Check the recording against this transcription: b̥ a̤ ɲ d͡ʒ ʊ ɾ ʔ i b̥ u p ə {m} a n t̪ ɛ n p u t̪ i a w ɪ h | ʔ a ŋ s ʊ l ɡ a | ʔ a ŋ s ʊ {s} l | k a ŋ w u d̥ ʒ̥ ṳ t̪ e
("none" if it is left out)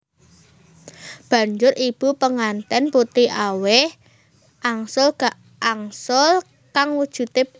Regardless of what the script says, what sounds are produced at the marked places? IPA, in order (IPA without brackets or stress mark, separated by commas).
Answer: ŋ, none